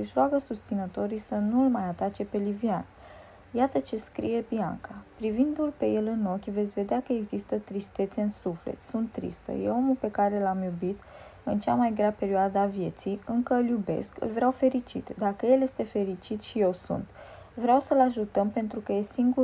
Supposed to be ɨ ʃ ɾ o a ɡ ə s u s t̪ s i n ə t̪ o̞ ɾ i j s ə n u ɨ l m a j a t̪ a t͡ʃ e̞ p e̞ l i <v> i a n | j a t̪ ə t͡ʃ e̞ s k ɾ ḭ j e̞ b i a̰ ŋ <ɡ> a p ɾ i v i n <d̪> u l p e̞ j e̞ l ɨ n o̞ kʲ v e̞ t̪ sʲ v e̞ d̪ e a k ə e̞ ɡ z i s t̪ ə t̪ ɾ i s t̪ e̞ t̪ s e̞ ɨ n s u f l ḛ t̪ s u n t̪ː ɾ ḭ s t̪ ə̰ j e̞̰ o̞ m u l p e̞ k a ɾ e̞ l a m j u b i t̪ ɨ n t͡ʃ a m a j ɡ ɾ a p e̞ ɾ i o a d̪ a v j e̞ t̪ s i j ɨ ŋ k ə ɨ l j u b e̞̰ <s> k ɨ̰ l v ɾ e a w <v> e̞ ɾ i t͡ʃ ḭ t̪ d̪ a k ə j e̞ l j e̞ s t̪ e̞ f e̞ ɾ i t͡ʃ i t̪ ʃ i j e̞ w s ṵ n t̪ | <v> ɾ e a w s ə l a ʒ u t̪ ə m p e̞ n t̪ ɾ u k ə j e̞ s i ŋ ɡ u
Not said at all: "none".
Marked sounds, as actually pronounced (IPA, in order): v, k, d̪, s, f, v

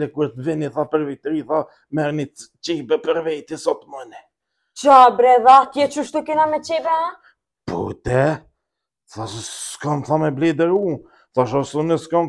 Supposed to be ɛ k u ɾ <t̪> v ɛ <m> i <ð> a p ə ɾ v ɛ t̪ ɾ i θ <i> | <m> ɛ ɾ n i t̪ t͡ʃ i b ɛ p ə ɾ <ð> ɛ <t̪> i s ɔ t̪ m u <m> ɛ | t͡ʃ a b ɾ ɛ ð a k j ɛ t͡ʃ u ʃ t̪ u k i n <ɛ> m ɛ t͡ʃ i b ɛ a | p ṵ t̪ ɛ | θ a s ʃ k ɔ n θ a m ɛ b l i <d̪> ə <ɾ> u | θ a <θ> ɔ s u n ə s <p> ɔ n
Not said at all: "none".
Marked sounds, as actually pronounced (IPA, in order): t̪, n, θ, a, m, v, t̪, n, a, d̪, ɾ, ʃ, k

